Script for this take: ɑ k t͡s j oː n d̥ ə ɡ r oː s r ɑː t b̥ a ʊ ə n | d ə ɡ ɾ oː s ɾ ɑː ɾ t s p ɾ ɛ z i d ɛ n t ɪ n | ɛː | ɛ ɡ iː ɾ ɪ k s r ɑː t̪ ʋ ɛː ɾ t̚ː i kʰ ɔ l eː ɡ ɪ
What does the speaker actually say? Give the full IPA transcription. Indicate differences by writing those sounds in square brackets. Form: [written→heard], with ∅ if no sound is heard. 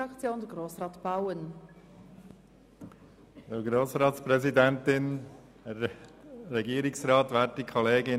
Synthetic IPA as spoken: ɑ k t͡s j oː n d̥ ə ɡ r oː s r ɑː t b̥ a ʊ ə n | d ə ɡ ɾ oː s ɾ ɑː [ɾ→∅] t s p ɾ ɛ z i d ɛ n t ɪ n | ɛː | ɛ ɡ iː ɾ ɪ k s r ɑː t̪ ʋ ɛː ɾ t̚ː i kʰ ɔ l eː ɡ ɪ